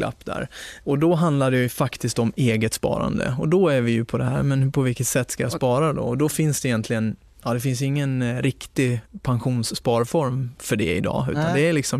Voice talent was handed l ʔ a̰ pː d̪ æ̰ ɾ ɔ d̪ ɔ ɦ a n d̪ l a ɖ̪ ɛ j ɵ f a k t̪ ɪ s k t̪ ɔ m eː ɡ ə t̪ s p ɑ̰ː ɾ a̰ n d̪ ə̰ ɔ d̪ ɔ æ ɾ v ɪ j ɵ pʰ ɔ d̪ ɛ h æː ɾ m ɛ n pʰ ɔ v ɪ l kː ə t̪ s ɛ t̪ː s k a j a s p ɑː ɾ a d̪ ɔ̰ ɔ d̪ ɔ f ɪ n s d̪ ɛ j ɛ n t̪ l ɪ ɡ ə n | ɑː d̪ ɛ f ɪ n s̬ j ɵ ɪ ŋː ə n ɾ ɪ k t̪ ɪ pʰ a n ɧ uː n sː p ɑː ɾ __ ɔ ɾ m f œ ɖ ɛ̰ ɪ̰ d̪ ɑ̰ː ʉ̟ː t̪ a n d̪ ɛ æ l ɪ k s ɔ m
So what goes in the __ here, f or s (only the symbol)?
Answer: f